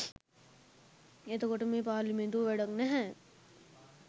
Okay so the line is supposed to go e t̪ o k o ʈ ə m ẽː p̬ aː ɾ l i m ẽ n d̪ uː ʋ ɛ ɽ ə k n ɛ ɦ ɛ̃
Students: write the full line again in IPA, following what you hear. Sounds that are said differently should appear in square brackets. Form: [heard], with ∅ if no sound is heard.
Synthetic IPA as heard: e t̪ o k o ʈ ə m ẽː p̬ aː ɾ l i m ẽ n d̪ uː ʋ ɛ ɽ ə k n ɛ ɦ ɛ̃

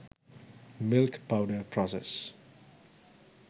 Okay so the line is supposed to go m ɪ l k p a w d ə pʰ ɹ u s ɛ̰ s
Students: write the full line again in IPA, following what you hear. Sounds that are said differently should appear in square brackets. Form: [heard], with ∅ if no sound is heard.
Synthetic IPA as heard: m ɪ l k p a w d ə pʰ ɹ [ɔ] s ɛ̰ s

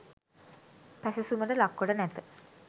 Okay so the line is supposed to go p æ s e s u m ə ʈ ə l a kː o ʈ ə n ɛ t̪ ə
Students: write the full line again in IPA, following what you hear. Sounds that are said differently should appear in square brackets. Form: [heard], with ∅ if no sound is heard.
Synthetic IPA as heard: p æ s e s u m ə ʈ ə l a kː o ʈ ə n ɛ t̪ ə

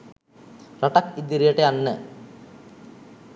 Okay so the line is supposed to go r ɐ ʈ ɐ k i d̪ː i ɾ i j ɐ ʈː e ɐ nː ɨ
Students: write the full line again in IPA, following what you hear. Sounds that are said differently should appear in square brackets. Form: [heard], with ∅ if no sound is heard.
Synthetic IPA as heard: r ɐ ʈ ɐ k i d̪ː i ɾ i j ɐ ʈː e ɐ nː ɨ

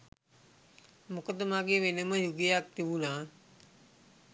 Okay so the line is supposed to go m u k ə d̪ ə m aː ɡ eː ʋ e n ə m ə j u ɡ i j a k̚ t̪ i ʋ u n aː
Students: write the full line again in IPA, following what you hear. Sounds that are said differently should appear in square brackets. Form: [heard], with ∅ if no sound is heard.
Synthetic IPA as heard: m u k ə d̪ ə m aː ɡ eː ʋ e n ə m ə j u ɡ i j a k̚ t̪ i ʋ u n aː

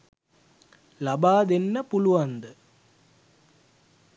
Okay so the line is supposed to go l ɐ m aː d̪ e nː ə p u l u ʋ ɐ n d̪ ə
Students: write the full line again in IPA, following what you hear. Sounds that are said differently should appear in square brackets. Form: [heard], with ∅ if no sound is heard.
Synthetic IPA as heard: l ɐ [b] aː d̪ e nː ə p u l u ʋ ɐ n d̪ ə

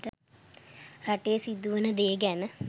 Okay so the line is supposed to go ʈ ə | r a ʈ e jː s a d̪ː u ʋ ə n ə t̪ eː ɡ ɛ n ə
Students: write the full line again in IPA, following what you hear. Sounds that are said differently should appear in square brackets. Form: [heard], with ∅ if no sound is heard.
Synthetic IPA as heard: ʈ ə | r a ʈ e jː s [i] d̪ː u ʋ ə n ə [d̪] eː ɡ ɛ n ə

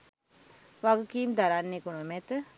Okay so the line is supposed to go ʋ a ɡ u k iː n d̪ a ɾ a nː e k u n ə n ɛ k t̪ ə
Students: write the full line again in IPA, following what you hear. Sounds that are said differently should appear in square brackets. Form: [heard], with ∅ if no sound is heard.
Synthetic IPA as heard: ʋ a ɡ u k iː [m] d̪ a ɾ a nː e k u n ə [m] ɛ [∅] t̪ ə

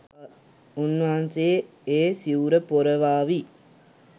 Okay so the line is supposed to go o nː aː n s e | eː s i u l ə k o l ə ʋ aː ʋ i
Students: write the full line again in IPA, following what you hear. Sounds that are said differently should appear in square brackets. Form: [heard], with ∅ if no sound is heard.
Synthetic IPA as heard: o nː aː n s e | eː s i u [ɾ] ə [p] o [ɾ] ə ʋ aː ʋ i

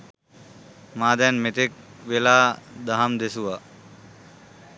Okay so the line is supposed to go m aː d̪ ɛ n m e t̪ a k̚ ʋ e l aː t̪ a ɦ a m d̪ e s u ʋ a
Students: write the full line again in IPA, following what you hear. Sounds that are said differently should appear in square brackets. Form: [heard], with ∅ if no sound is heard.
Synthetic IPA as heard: m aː d̪ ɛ n m e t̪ [e] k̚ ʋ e l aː [d̪] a ɦ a m d̪ e s u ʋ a

